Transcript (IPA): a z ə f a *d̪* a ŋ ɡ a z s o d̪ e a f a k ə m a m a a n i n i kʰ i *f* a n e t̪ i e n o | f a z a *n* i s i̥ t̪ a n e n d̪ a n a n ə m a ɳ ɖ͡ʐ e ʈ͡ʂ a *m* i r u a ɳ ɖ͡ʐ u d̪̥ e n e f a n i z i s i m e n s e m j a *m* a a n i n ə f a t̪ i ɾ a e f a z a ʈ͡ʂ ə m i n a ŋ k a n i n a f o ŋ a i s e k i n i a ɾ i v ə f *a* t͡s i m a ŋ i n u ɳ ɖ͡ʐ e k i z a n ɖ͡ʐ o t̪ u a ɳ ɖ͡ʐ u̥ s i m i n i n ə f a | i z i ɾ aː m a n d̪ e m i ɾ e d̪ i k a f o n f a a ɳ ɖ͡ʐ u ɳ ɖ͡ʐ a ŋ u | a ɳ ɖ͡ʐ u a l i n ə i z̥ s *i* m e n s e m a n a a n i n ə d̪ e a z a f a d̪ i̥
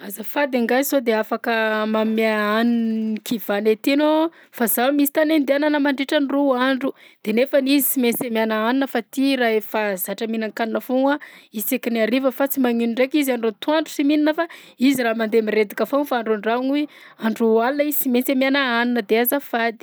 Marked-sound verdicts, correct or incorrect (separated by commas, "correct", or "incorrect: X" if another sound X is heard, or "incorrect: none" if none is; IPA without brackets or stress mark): correct, incorrect: v, incorrect: m, incorrect: n, incorrect: n, correct, correct